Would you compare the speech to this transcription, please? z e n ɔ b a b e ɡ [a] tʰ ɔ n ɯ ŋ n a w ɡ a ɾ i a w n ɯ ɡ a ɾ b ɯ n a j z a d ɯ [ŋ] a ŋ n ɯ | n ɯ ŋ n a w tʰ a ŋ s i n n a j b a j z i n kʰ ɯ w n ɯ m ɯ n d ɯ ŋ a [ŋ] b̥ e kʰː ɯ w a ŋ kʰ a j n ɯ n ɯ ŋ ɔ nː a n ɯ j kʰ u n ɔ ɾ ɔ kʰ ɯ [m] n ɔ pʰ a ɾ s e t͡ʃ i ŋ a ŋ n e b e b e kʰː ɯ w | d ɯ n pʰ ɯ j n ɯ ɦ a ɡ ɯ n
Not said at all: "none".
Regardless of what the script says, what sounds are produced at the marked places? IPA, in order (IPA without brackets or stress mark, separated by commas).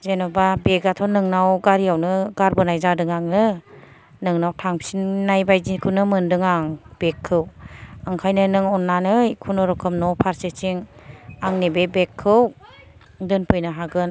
a, ŋ, ŋ, m